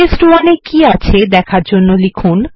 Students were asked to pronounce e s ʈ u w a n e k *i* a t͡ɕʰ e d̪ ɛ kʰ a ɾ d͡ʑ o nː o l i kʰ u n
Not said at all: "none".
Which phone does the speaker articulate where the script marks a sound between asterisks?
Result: i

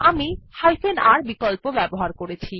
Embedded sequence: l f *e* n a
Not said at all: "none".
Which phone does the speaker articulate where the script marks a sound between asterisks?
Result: e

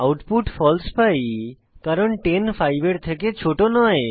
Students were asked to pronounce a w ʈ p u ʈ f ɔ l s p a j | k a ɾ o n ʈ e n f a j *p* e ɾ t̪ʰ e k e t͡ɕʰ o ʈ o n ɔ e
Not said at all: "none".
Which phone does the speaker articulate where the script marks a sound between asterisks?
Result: b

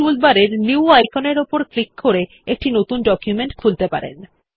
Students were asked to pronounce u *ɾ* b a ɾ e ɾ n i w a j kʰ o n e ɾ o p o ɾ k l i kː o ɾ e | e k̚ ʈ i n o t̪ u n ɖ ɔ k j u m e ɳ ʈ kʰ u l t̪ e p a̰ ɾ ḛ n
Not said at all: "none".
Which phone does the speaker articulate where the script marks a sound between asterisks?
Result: l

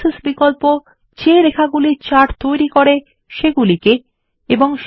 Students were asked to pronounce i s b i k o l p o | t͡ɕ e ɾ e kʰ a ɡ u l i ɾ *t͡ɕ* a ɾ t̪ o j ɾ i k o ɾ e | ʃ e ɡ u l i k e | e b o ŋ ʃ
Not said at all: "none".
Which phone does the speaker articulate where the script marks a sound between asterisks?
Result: t͡ɕ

